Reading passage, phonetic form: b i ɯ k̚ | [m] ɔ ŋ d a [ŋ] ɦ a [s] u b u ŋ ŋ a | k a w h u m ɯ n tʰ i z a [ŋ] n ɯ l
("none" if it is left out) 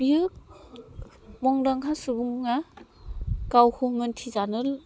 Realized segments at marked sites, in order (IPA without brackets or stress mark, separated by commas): m, ŋ, s, none